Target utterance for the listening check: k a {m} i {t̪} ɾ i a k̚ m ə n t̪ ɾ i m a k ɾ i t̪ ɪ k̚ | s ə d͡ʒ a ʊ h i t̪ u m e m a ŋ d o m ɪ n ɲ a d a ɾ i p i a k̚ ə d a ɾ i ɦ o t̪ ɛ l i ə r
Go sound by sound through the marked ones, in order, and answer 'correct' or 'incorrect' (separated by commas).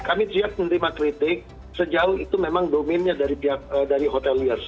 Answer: correct, correct